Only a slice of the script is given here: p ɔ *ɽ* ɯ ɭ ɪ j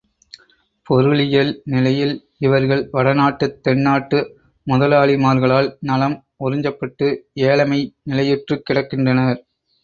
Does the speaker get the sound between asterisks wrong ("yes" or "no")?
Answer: yes